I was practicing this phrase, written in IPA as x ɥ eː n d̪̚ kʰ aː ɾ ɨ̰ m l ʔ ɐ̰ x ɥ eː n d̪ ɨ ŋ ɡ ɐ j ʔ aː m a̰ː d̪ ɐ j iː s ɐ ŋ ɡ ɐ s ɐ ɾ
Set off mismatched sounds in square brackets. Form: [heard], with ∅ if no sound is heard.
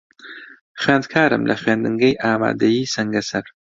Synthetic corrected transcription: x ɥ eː n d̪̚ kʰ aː ɾ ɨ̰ m l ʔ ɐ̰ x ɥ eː n d̪ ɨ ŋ ɡ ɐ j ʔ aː m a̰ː d̪ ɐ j iː s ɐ ŋ ɡ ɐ s ɐ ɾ